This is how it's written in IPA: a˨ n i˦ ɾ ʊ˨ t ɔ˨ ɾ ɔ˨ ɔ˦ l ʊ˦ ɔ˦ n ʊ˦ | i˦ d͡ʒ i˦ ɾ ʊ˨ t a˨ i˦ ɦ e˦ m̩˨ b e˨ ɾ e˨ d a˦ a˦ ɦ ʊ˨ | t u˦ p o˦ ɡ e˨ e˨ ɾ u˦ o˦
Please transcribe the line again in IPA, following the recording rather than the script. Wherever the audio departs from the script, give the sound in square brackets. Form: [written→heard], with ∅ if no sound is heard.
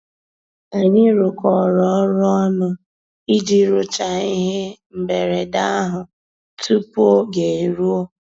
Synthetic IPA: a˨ [n→ɲ] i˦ ɾ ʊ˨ [t→k] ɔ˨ ɾ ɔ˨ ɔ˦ [l→ɾ] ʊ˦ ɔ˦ n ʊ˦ | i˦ d͡ʒ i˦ ɾ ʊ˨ [t→t͡ʃ] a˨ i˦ ɦ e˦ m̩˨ b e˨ ɾ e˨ d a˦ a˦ ɦ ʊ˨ | t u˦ p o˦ ɡ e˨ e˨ ɾ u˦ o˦